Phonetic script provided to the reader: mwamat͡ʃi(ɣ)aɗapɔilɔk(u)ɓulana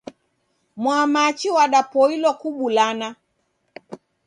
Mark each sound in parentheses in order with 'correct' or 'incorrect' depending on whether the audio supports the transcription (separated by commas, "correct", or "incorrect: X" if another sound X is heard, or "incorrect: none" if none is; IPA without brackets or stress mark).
incorrect: w, correct